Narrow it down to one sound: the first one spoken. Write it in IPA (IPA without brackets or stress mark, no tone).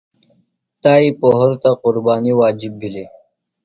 t̪